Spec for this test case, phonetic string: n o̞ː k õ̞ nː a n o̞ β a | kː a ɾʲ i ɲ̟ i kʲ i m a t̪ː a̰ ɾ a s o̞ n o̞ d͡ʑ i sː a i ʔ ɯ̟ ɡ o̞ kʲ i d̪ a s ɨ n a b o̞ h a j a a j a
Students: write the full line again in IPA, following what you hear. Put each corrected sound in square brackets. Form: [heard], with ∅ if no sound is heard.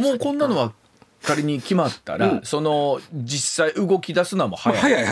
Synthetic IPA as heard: [m] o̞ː k õ̞ nː a n o̞ β a | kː a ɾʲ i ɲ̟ i kʲ i m a t̪ː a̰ ɾ a s o̞ n o̞ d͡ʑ i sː a i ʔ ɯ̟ ɡ o̞ kʲ i d̪ a s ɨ n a [m] o̞ h a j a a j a